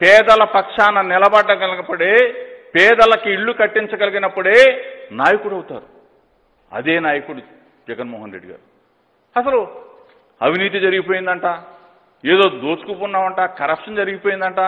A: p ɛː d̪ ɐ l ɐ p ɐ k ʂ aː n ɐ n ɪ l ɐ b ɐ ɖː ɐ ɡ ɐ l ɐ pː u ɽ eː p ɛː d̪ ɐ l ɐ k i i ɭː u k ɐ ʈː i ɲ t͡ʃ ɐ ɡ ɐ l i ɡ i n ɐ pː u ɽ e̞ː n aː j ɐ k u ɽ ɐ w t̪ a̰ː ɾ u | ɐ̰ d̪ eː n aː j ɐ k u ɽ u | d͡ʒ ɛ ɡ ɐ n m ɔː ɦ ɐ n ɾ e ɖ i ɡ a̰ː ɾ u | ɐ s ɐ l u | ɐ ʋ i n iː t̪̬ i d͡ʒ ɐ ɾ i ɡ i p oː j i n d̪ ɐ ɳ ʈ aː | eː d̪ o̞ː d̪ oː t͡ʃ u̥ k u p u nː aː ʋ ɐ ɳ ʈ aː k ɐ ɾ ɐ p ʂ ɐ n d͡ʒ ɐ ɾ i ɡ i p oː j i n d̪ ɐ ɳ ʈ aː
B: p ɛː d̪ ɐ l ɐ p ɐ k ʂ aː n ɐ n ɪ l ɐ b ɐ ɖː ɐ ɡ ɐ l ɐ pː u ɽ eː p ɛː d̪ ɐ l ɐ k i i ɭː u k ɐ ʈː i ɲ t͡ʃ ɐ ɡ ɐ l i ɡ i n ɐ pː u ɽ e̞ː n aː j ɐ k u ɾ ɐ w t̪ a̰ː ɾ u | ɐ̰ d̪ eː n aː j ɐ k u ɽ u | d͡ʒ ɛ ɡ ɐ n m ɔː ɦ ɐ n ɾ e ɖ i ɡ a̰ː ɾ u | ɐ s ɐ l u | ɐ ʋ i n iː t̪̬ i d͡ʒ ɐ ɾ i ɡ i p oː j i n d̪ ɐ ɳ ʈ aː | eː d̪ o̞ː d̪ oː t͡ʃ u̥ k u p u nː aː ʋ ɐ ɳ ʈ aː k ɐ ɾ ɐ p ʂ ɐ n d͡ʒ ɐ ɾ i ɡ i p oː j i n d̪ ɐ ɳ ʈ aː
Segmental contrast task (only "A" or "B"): A